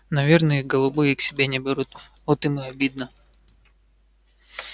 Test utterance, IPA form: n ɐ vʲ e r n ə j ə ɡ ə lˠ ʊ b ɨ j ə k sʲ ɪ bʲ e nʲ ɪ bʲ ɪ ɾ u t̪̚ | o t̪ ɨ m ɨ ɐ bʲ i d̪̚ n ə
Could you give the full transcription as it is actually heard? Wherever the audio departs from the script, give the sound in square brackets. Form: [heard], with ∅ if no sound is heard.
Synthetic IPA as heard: n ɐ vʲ e r n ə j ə ɡ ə lˠ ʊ b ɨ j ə k sʲ ɪ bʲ e nʲ ɪ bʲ ɪ ɾ u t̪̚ | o t̪ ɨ m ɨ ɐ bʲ i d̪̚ n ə